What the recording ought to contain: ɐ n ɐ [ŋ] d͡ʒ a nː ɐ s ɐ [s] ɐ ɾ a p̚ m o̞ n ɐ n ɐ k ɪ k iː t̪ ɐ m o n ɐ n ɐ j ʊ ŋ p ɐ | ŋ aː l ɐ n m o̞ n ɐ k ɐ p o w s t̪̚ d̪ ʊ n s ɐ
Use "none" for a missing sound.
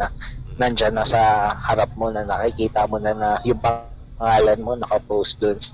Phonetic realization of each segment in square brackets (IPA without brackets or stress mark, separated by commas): n, h